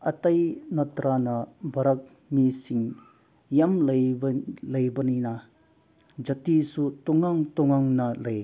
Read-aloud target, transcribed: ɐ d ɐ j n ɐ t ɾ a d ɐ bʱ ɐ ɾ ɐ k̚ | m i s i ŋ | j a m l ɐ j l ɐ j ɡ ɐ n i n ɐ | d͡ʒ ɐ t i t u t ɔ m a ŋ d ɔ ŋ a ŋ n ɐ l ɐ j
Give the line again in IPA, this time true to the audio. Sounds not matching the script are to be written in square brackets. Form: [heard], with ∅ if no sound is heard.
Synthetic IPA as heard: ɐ [t] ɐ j n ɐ t ɾ a [n] ɐ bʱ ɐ ɾ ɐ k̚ | m i s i ŋ | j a m l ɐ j l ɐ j [b] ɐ n i n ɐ | d͡ʒ ɐ t i [s] u t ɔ [ŋ] a ŋ [t] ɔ ŋ a ŋ n ɐ l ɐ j